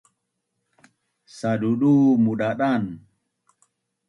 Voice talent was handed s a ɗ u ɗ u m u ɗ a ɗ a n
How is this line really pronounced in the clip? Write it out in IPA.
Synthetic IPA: s a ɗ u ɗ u m u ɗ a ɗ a n